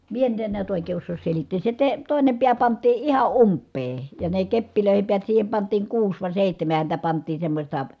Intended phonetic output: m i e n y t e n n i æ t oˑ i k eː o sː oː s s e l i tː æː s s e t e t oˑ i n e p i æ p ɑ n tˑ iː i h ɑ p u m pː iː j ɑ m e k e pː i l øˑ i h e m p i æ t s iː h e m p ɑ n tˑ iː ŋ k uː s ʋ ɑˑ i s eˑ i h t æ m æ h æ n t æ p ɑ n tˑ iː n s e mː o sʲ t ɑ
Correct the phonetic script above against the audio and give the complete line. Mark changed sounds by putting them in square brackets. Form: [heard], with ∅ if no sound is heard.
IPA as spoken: m i e n y t e n n i æ t oˑ i k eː o sː oː s s e l i tː [eː] s s e t e t oˑ i n e p i æ p ɑ n tˑ iː i h ɑ [ʔ] u m pː [eː] j ɑ [n] e k e pː i l øˑ i h e m p i æ t s iː h e m p ɑ n tˑ iː ŋ k uː s ʋ ɑˑ i s eˑ i h t æ m æ h æ n t æ p ɑ n tˑ iː n s e mː o sʲ t ɑ